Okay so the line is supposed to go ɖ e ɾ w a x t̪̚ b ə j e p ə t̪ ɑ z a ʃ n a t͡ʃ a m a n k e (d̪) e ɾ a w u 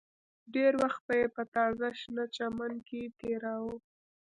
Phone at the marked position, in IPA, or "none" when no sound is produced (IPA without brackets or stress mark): t̪